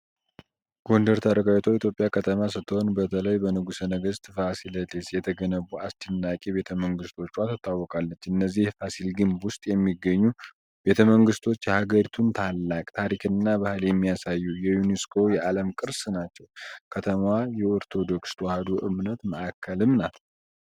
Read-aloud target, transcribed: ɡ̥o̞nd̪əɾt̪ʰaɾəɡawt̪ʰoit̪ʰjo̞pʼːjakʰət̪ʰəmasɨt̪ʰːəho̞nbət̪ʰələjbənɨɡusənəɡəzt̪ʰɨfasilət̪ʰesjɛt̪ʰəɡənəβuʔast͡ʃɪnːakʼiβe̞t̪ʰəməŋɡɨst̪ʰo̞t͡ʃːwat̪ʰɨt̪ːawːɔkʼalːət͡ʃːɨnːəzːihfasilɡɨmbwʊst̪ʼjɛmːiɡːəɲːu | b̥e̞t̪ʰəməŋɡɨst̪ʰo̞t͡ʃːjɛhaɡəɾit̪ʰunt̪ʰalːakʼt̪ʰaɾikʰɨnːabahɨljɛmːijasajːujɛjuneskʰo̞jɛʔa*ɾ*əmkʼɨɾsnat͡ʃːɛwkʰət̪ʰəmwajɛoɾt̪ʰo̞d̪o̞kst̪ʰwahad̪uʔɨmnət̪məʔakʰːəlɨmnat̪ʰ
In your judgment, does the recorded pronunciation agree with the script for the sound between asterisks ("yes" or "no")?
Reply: no